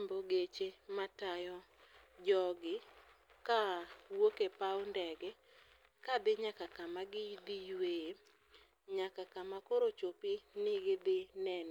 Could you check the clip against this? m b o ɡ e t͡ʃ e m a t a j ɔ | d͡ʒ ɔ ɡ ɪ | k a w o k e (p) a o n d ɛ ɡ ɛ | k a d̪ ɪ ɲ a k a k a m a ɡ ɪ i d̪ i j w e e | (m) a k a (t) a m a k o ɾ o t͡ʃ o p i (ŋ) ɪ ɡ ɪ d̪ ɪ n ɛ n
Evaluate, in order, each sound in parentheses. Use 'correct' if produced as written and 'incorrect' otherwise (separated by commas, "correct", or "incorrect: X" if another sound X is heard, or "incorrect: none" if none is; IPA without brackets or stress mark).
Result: correct, incorrect: ɲ, incorrect: k, incorrect: n